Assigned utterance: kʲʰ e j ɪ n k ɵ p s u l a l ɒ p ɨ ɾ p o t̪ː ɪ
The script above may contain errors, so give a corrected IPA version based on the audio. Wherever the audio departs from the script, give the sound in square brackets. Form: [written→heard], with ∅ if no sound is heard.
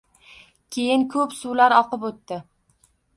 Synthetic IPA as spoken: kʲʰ e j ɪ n [k→kʰ] ɵ p s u l a [l→ɾ] ɒ [p→q] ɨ [ɾ→∅] p o t̪ː ɪ